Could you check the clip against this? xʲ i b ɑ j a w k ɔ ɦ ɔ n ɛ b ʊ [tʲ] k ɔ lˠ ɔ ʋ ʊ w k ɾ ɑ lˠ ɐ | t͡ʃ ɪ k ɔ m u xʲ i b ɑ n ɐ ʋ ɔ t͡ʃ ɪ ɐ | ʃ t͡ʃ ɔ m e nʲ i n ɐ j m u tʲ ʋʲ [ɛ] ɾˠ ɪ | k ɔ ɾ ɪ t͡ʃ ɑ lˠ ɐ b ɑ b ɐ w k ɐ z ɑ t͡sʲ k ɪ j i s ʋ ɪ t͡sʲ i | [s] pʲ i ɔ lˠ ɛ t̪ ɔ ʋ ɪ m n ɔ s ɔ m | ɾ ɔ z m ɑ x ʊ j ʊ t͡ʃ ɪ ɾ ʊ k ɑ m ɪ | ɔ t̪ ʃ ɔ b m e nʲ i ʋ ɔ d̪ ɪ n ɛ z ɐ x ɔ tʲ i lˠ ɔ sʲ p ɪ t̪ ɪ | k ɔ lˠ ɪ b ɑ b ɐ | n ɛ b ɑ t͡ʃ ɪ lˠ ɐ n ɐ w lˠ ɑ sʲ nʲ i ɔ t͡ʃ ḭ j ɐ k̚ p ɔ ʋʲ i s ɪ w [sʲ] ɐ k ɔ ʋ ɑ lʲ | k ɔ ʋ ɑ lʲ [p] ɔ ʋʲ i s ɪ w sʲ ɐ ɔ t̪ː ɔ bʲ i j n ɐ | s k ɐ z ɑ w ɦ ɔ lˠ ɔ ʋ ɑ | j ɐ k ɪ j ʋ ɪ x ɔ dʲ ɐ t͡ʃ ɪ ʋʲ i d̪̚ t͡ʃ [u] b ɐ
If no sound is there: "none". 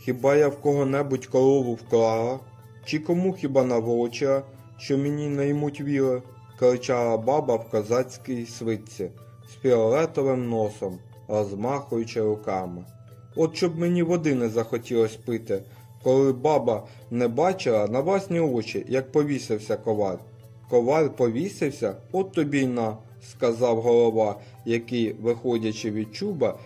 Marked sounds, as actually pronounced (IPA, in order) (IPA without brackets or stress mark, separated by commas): tʲ, i, s, sʲ, p, u